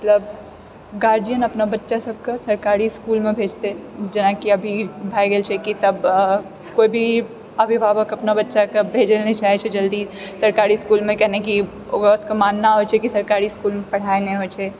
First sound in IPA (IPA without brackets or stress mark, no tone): m